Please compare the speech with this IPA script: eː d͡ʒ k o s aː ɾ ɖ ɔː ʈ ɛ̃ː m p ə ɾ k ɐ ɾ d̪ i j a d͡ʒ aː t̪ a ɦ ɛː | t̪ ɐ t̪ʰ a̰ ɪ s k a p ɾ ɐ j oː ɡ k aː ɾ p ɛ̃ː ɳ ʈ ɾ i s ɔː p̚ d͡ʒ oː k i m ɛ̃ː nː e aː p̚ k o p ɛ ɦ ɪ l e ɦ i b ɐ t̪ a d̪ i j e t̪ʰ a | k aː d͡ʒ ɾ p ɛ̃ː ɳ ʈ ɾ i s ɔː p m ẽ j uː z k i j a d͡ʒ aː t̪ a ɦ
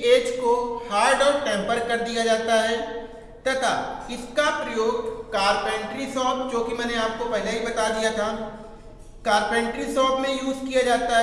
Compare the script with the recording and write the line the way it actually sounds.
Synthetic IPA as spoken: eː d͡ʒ k o h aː ɾ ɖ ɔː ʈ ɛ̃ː m p ə ɾ k ɐ ɾ d̪ i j a d͡ʒ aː t̪ a ɦ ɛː | t̪ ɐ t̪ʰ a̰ ɪ s k a p ɾ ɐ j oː ɡ k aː ɾ p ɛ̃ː ɳ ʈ ɾ i s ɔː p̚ d͡ʒ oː k i m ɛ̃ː n e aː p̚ k o p ɛ ɦ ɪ l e ɦ i b ɐ t̪ a d̪ i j a t̪ʰ a | k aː ɾ p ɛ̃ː ɳ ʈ ɾ i s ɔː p m ẽ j uː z k i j a d͡ʒ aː t̪ a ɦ